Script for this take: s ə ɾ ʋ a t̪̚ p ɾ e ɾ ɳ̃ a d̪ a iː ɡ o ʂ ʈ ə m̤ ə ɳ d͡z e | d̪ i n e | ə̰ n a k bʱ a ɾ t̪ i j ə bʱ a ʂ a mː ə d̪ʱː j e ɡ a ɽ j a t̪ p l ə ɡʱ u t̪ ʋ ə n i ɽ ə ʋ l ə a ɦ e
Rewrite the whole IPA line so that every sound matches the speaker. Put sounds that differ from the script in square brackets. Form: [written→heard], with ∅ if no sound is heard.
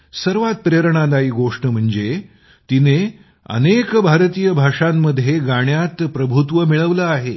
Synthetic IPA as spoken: s ə ɾ ʋ a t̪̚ p ɾ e ɾ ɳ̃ a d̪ a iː ɡ o ʂ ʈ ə m̤ ə ɳ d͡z e | [d̪→t̪] i n e | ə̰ n [a→e] k bʱ a ɾ t̪ i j ə bʱ a ʂ a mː ə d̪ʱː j e ɡ a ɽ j a t̪ p [l→ɾ] ə [ɡʱ→bʱ] u t̪ ʋ ə [n→m] i [ɽ→ɭ] ə ʋ l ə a ɦ e